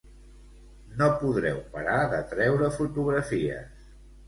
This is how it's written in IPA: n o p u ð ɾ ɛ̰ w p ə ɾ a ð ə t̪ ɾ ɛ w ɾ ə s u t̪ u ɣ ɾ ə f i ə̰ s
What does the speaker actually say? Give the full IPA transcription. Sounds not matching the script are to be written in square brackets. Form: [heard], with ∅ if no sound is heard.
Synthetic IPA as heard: n o p u ð ɾ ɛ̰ w p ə ɾ a ð ə t̪ ɾ ɛ w ɾ ə [f] u t̪ u ɣ ɾ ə f i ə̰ s